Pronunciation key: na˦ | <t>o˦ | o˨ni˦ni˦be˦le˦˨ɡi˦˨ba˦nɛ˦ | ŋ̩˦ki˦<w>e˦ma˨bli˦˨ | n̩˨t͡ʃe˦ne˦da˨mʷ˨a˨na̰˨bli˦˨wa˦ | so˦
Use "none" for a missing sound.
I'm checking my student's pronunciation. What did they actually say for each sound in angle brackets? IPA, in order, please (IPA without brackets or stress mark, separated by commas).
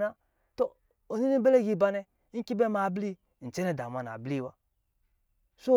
t, b